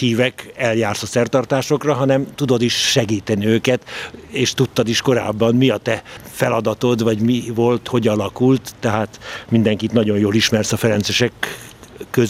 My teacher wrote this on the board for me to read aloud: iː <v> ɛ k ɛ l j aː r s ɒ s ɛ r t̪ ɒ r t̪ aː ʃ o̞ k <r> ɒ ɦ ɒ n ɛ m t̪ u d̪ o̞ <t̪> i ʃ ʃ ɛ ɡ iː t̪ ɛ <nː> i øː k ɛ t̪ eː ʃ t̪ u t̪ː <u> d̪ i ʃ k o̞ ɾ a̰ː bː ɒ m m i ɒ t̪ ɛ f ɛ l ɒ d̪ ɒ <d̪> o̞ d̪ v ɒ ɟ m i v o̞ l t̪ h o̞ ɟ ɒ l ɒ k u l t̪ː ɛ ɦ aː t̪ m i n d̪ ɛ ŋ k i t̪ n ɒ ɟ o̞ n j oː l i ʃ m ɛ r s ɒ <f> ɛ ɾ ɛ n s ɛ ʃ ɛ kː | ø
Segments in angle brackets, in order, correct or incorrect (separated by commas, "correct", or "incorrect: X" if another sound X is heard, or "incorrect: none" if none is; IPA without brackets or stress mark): correct, correct, incorrect: d̪, incorrect: n, incorrect: ɒ, incorrect: t̪, correct